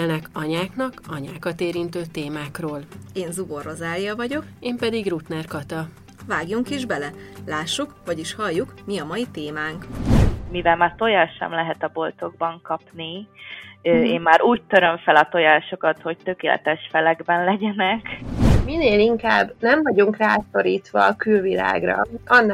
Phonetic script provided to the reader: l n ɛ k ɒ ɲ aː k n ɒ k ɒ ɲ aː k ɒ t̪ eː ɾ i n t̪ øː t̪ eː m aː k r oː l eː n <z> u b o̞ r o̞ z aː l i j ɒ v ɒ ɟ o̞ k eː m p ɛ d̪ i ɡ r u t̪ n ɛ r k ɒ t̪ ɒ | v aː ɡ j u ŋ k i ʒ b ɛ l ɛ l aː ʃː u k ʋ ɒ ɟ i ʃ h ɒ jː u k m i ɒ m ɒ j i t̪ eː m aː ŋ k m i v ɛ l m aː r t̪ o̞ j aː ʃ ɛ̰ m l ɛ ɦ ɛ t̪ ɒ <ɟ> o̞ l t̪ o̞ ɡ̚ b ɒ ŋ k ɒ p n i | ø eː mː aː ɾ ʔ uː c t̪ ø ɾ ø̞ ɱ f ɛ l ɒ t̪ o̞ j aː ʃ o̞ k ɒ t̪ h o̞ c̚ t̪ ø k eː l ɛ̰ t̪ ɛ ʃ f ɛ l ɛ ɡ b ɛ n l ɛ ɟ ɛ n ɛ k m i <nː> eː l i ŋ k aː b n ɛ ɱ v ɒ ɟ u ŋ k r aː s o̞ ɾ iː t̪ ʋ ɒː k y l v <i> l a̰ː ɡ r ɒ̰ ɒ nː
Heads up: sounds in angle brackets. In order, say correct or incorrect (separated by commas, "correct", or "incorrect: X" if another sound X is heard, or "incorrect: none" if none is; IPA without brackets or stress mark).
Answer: correct, incorrect: b, incorrect: n, correct